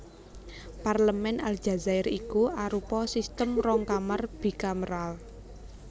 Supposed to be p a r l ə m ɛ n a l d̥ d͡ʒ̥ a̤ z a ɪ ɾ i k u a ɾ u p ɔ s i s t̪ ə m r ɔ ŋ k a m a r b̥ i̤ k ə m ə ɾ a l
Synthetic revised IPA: p a r l ə m ɛ n a l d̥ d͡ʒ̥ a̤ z a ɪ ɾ i k u a ɾ u p ɔ s i s t̪ ə m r ɔ ŋ k a m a r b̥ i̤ k a m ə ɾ a l